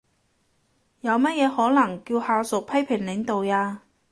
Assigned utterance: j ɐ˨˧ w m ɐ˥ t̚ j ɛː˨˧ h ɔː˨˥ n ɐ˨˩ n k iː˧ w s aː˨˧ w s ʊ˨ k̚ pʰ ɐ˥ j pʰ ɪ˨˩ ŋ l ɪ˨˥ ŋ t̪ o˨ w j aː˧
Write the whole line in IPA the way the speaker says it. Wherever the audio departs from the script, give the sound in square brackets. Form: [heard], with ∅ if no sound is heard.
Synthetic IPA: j ɐ˨˧ w m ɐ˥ t̚ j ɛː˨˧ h ɔː˨˥ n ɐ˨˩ [ŋ] k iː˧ w [h] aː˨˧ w s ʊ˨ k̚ pʰ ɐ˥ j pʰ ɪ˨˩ ŋ l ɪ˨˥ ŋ t̪ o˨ w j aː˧